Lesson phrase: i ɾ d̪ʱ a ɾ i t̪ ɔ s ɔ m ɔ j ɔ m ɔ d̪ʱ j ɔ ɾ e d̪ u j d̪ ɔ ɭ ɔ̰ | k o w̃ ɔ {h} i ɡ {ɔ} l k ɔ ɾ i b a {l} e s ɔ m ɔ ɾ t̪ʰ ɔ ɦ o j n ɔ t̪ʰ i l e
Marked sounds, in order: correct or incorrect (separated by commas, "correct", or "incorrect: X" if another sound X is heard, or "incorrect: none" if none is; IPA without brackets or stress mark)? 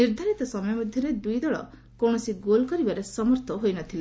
incorrect: s, incorrect: o, incorrect: ɾ